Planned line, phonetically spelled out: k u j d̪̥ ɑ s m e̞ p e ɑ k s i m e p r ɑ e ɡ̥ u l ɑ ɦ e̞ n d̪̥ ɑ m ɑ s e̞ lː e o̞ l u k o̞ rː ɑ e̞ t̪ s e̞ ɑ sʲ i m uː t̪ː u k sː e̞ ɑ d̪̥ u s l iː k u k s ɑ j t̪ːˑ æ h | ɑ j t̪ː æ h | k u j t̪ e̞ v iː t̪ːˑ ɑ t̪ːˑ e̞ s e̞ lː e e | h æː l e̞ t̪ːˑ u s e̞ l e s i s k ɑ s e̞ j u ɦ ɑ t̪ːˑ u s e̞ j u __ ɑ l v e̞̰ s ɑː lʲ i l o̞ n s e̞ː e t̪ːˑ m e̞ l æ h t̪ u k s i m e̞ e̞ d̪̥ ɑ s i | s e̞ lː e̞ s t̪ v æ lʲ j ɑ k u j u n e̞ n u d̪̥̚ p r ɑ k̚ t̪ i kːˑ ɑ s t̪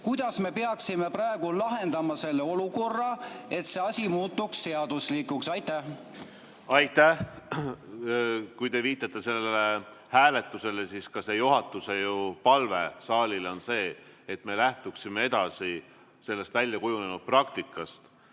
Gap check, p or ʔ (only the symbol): p